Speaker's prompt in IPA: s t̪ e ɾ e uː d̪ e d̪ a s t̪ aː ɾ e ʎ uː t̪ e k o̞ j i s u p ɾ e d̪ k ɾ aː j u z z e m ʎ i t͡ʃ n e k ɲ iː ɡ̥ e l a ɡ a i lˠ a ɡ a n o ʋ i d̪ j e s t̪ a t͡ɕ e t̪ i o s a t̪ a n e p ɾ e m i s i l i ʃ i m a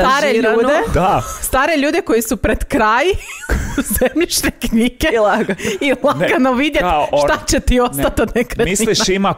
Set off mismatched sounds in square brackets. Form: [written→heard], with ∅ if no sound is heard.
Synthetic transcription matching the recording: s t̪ [e→a] ɾ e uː d̪ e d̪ a s t̪ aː ɾ e ʎ uː [t̪→d̪] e k o̞ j i s u p ɾ e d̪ k ɾ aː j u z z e m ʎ i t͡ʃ n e k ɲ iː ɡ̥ e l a ɡ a i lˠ a ɡ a n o ʋ i d̪ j e [s→ʃ] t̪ a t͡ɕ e t̪ i o s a t̪ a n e [p→k] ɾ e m i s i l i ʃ i m a